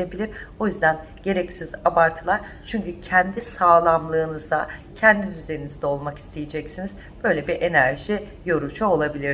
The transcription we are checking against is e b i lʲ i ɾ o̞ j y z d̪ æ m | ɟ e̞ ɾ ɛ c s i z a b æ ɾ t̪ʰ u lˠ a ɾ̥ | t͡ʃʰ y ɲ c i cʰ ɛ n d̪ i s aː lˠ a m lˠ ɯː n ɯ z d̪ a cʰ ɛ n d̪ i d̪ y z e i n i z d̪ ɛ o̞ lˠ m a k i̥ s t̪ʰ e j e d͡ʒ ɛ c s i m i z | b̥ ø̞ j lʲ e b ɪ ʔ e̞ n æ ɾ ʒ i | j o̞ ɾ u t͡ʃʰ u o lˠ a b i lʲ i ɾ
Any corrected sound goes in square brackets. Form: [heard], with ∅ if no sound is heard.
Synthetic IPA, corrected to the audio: e b i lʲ i ɾ o̞ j y z d̪ æ [n] | ɟ e̞ ɾ ɛ c s i z a b [a] ɾ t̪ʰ [ɯ] lˠ a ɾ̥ | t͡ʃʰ y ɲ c [y] cʰ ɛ n d̪ i s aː lˠ a m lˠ ɯː n ɯ z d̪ a cʰ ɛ n d̪ i d̪ y z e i n i z d̪ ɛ o̞ lˠ m a k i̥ s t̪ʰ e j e d͡ʒ ɛ c s i [n] i z | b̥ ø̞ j lʲ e b [i] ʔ e̞ n æ ɾ ʒ i | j o̞ ɾ u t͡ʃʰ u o lˠ a b i lʲ i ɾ